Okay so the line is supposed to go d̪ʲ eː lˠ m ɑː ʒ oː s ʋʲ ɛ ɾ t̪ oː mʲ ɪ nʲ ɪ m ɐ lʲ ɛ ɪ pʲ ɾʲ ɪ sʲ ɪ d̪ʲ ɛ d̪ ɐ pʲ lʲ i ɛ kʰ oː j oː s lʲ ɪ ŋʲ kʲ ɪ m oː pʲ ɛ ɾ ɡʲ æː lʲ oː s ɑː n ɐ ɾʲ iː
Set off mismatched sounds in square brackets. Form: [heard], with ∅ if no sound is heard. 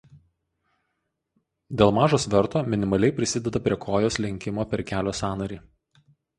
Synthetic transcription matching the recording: d̪ʲ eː lˠ m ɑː ʒ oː s ʋʲ ɛ ɾ t̪ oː mʲ ɪ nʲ ɪ m ɐ lʲ ɛ ɪ pʲ ɾʲ ɪ sʲ ɪ d̪ʲ ɛ d̪ ɐ pʲ [ɾʲ] i ɛ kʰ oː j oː s lʲ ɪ ŋʲ kʲ ɪ m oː pʲ ɛ ɾ [kʲ] æː lʲ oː s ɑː n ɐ ɾʲ iː